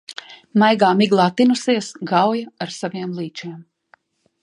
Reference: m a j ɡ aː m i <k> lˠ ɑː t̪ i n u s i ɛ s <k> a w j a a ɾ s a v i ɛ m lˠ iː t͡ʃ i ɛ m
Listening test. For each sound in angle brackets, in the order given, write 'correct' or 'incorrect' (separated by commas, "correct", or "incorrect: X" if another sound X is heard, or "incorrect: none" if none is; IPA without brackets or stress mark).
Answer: incorrect: ɡ, incorrect: ɡ